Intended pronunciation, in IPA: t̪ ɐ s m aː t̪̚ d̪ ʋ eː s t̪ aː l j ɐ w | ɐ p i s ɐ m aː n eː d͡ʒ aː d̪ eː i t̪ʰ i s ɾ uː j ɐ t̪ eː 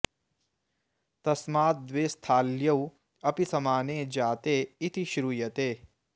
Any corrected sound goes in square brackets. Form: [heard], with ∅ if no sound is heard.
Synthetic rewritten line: t̪ ɐ s m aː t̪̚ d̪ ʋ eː s [t̪ʰ] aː l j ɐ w | ɐ p i s ɐ m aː n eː d͡ʒ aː [t̪] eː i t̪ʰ i [ʃ] ɾ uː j ɐ t̪ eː